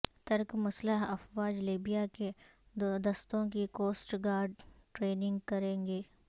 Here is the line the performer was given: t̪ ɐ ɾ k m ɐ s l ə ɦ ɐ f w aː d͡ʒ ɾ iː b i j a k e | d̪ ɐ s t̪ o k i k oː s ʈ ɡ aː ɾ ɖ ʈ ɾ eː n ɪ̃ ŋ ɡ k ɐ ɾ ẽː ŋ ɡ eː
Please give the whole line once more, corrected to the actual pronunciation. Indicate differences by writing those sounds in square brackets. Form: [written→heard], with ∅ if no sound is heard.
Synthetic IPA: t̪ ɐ ɾ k m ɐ s l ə ɦ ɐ f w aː d͡ʒ [ɾ→l] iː b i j a k e | d̪ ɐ s t̪ [o→õ] k i k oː s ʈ ɡ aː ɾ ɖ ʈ ɾ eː n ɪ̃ ŋ ɡ k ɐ ɾ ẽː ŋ ɡ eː